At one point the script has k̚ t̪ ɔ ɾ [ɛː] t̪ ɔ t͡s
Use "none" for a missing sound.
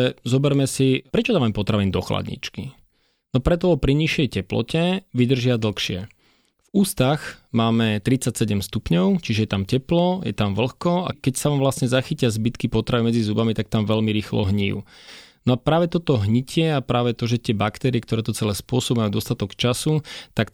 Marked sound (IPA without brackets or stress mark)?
ɛː